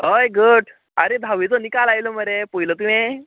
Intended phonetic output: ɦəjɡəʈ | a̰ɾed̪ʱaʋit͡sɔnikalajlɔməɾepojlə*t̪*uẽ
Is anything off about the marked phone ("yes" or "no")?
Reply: no